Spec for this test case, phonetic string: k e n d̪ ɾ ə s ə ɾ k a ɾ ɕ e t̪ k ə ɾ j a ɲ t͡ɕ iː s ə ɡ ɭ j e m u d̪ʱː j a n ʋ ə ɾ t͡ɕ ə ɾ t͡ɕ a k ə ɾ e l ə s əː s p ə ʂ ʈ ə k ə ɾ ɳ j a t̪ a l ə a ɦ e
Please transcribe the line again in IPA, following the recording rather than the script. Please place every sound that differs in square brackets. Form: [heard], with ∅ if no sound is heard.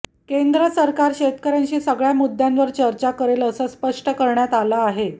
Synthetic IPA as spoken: k e n d̪ ɾ ə s ə ɾ k a ɾ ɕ e t̪ k ə ɾ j a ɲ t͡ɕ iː s ə ɡ ɭ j [a] m u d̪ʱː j a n ʋ ə ɾ t͡ɕ ə ɾ t͡ɕ a k ə ɾ e l ə s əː s p ə ʂ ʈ ə k ə ɾ ɳ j a t̪ a l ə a ɦ e